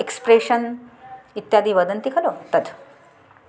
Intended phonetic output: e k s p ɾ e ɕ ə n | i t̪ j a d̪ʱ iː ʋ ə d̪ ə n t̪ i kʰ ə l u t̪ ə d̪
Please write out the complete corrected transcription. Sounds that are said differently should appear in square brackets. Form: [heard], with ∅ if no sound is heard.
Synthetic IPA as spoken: e k s p ɾ e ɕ ə n | i t̪ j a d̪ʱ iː ʋ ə d̪ ə n t̪ i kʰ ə l [o] t̪ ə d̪